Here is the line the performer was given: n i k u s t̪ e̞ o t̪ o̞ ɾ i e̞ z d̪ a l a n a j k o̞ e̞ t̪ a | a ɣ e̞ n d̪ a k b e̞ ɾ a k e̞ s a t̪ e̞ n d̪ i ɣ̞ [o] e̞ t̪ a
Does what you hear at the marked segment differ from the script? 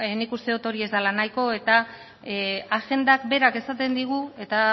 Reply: yes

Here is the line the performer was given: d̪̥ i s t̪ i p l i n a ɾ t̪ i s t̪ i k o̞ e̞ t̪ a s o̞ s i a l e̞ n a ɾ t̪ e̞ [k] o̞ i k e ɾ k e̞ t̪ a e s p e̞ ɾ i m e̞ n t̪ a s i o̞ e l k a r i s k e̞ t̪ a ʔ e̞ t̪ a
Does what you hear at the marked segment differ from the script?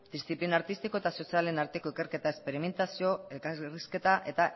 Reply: no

